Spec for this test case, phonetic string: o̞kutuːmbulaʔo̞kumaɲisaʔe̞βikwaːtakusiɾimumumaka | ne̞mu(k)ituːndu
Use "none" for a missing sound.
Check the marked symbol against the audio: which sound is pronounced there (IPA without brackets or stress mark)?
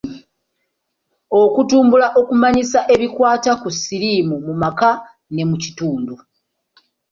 c